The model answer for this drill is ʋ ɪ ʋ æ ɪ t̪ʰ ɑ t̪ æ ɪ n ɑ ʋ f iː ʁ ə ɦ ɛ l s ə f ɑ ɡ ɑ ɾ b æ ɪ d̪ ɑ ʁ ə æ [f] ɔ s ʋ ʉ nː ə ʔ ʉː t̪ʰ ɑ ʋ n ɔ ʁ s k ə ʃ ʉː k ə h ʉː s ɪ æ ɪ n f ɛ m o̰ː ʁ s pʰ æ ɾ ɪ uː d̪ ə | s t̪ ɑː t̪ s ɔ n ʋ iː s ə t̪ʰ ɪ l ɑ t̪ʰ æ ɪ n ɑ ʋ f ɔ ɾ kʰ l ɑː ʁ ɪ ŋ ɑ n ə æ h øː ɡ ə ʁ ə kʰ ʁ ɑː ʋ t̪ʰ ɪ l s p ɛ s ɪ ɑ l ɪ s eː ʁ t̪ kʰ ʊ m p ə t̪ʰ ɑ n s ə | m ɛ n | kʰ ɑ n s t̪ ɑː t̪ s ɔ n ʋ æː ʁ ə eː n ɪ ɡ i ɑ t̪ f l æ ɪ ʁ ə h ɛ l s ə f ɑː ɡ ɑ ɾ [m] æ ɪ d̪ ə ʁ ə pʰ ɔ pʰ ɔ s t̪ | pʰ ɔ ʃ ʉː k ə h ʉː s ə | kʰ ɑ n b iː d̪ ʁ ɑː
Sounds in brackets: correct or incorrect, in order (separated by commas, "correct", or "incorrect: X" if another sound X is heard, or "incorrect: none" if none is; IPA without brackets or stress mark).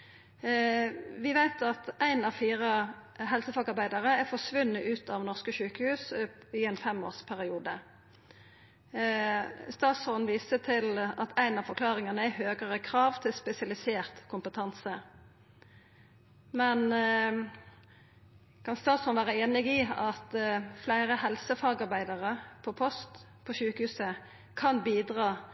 correct, incorrect: b